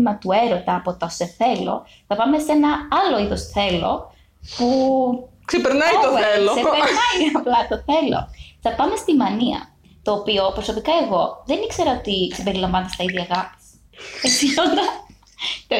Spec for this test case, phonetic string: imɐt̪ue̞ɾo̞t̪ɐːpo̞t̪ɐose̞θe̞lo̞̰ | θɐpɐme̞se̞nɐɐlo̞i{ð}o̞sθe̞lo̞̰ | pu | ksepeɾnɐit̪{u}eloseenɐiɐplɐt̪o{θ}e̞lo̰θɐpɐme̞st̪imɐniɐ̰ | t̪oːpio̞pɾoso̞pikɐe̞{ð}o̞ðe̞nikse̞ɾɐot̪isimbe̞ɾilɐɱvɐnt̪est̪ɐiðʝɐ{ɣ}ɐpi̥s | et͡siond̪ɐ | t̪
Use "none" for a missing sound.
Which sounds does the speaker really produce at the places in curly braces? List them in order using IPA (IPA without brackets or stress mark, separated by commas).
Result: ð, o, θ, ɣ, ɣ